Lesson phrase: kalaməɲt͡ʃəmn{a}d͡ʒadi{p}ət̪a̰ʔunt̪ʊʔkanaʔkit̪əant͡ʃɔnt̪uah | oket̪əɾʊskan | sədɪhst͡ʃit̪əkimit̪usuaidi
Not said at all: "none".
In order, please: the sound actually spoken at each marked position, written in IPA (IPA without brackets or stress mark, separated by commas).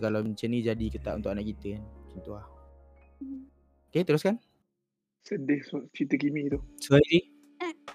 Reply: i, k